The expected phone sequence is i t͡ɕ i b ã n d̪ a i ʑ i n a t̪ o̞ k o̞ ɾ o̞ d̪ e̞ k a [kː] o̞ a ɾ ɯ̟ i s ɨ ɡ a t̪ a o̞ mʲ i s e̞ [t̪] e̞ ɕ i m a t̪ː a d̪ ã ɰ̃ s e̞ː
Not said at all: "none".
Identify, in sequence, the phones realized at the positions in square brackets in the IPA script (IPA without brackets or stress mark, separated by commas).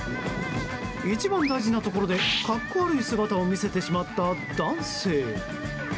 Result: kː, t̪